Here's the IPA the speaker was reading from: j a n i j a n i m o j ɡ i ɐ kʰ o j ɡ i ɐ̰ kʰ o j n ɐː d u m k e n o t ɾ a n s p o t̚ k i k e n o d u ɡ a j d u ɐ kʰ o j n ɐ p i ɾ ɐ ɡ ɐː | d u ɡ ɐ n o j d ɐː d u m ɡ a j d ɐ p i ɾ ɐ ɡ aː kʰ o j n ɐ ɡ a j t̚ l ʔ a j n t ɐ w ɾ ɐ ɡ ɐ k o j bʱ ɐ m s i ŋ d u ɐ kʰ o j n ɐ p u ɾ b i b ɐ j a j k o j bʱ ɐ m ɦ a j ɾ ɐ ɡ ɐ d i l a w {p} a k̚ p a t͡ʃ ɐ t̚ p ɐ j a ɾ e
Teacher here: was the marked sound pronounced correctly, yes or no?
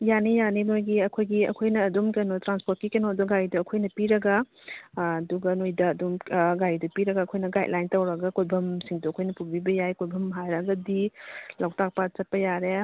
no